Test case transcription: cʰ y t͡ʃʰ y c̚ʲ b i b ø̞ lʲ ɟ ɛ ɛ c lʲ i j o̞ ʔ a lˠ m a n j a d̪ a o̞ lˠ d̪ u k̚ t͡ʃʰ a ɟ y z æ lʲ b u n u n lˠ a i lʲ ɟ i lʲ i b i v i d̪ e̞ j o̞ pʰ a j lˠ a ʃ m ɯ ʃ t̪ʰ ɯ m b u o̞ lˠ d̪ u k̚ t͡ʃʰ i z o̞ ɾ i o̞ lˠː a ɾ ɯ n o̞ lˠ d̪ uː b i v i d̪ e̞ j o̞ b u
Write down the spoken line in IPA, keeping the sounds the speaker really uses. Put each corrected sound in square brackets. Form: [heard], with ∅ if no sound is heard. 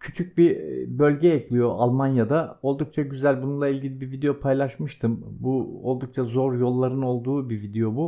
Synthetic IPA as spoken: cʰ y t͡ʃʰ y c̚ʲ b i b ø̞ lʲ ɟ ɛ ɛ c lʲ i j o̞ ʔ a lˠ m a n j a d̪ a o̞ lˠ d̪ u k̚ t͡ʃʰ a ɟ y z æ lʲ b u n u n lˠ a i lʲ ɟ i lʲ i b i v i d̪ e̞ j o̞ pʰ a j lˠ a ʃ m ɯ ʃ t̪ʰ ɯ m b u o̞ lˠ d̪ u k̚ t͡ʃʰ [a] z o̞ ɾ [j] o̞ lˠː a ɾ ɯ n o̞ lˠ d̪ uː b i v i d̪ e̞ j o̞ b u